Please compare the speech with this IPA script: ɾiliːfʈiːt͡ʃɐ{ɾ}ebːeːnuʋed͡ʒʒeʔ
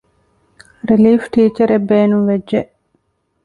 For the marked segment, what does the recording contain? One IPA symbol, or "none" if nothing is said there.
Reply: ɾ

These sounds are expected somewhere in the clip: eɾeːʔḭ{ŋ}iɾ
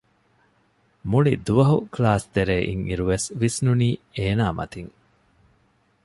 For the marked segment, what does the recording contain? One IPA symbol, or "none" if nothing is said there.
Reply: ŋ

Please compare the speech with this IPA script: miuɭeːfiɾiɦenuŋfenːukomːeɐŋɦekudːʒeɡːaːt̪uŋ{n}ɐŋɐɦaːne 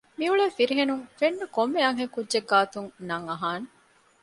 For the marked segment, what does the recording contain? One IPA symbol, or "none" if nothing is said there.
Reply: n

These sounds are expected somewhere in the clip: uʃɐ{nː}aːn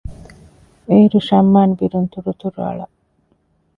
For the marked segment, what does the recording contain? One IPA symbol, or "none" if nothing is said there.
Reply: mː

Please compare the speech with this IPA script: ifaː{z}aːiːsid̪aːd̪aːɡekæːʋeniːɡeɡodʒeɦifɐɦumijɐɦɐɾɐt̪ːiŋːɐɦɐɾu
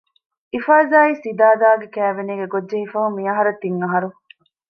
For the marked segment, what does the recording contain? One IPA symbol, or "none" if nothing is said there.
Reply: z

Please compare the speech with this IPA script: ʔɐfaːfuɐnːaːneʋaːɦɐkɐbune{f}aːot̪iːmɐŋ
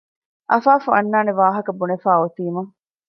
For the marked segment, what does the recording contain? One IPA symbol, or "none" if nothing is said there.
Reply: f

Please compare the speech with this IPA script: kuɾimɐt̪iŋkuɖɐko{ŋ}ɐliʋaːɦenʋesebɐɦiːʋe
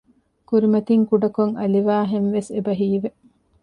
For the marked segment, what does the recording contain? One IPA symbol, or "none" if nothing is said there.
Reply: ŋ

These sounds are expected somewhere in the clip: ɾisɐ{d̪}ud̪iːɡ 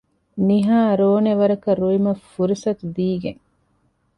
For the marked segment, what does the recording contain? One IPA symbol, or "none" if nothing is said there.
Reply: t̪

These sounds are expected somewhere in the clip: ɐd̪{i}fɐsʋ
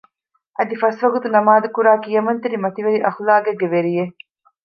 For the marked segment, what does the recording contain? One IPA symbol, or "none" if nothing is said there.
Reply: i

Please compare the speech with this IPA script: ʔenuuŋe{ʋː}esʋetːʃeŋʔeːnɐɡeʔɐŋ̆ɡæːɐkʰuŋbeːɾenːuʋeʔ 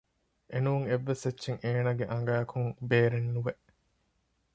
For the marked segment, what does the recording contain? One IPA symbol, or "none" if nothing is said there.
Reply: ʋː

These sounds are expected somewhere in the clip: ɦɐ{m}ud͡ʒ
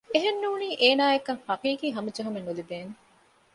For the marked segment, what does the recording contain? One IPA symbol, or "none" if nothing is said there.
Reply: m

